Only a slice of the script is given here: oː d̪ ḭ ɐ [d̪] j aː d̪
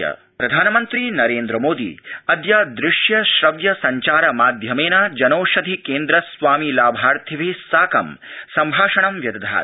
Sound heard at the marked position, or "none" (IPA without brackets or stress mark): d̪